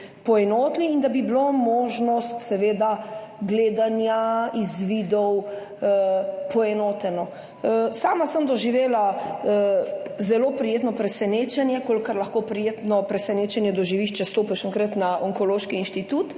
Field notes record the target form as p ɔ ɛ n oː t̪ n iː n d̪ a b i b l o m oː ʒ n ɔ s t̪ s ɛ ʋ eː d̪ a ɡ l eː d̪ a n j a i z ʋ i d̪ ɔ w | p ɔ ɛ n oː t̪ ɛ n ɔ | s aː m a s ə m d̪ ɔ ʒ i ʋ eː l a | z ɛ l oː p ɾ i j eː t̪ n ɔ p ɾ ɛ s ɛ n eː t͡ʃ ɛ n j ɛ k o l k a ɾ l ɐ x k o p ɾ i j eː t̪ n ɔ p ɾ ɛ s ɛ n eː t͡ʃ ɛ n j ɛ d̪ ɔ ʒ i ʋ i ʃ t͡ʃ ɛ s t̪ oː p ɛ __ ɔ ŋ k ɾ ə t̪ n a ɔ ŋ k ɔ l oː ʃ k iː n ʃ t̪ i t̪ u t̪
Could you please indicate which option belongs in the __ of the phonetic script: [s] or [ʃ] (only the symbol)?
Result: ʃ